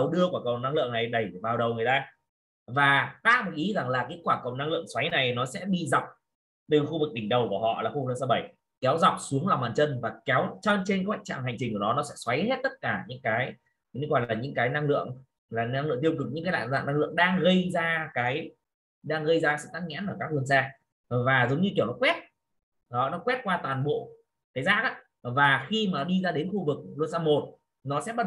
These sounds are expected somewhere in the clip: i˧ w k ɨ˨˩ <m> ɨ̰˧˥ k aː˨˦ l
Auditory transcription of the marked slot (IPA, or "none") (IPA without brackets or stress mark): ɲ